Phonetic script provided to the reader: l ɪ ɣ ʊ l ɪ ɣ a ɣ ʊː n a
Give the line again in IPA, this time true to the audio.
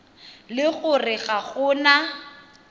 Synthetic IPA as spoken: l ɪ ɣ ʊ r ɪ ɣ a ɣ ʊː n a